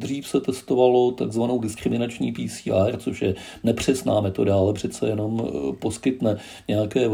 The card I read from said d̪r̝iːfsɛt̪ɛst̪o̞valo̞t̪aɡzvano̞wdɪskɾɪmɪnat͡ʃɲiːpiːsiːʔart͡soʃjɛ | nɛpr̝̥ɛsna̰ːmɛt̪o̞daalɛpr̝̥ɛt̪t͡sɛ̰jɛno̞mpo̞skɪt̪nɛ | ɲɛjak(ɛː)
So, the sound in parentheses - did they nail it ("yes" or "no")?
yes